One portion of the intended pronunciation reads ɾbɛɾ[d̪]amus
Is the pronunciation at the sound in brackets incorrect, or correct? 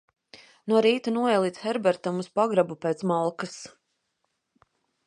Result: incorrect